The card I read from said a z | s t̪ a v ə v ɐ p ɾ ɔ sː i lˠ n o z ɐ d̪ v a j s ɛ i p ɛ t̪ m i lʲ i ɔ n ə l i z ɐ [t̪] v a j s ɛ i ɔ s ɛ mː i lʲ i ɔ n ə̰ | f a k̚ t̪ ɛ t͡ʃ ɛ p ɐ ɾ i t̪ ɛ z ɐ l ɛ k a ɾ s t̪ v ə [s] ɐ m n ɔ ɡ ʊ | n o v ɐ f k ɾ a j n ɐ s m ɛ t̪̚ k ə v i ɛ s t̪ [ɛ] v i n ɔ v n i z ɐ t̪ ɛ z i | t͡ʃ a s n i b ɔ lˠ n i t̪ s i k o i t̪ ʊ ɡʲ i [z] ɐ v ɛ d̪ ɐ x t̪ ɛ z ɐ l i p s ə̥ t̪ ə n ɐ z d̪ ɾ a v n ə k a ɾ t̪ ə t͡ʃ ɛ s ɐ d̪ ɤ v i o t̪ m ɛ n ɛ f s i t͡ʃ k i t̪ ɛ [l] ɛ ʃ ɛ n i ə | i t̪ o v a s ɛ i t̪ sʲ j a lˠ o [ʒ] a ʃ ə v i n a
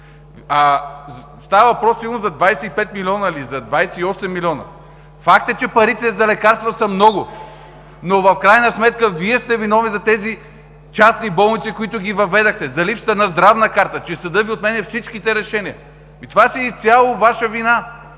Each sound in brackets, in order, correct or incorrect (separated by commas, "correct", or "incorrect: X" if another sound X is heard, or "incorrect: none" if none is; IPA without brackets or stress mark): incorrect: d̪, correct, correct, incorrect: v, incorrect: ɾ, incorrect: v